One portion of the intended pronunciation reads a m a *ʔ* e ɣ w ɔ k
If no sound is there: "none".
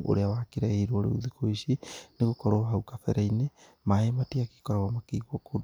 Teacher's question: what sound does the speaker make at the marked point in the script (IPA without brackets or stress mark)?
k